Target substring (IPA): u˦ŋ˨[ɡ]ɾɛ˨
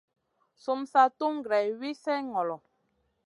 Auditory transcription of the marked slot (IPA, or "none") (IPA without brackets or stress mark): ɡ